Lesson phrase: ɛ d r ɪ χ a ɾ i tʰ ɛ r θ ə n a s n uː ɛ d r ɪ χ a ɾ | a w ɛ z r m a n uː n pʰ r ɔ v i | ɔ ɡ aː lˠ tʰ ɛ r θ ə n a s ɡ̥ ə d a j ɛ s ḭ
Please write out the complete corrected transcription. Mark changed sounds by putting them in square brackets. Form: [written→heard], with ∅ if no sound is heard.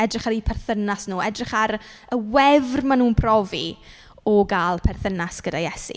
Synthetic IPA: ɛ d r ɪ χ a ɾ i [tʰ→pʰ] ɛ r θ ə n a s n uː ɛ d r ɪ χ a ɾ | [a→ə] w ɛ [z→v] r m a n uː n pʰ r ɔ v i | ɔ ɡ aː lˠ [tʰ→pʰ] ɛ r θ ə n a s ɡ̥ ə d a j ɛ s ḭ